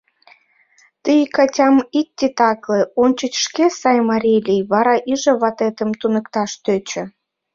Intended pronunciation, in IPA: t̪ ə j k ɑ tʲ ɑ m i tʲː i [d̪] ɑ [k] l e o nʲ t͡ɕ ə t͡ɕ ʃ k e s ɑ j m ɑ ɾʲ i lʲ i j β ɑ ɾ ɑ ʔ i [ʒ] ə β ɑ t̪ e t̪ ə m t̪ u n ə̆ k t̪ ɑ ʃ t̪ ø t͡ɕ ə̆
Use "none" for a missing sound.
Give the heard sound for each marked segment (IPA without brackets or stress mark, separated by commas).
t̪, k, ʒ